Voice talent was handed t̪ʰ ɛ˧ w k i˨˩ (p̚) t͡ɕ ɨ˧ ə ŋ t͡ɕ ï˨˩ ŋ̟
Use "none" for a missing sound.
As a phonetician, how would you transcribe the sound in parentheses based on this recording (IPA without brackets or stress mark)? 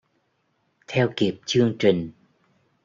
p̚